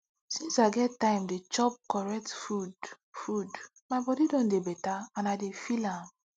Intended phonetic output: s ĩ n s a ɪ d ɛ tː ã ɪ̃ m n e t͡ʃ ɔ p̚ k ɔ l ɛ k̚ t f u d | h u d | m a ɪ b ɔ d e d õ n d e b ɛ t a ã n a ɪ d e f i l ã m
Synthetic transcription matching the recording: s ĩ n s a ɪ ɡ ɛ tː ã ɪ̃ m d e t͡ʃ ɔ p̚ k ɔ ɹ ɛ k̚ t f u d | f u d | m a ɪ b ɔ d i d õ n d e b ɛ t a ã n a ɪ d e f i l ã m